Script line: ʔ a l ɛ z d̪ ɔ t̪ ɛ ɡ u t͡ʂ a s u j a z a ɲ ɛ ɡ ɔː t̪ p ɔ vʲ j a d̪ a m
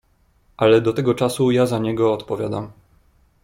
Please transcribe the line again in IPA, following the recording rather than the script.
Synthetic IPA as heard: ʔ a l ɛ d̪ ɔ t̪ ɛ ɡ ɔ t͡ʂ a s u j a z a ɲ ɛ ɡ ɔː t̪ p ɔ vʲ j a d̪ a m